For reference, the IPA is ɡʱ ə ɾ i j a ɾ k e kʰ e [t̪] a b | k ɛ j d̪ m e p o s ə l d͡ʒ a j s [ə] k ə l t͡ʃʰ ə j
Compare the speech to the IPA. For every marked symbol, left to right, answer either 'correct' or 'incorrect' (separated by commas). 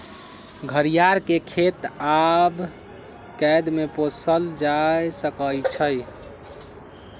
correct, correct